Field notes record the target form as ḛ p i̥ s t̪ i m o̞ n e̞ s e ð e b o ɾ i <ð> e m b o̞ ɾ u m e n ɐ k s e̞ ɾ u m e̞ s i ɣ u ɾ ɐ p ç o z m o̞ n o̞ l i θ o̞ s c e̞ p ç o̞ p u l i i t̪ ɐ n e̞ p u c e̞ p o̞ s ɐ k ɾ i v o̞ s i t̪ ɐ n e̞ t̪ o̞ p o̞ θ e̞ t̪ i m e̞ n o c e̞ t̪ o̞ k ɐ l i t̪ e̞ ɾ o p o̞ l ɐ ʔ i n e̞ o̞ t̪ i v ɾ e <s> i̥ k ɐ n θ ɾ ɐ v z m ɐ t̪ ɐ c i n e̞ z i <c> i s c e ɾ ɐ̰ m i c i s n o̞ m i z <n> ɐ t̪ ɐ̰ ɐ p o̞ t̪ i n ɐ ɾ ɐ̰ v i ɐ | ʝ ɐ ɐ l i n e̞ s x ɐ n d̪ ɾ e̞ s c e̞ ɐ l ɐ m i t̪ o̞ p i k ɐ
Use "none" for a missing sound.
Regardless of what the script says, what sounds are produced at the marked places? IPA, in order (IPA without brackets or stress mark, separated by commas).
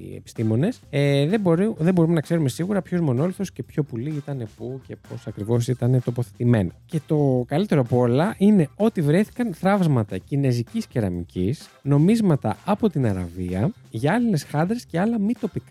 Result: ð, θ, c, m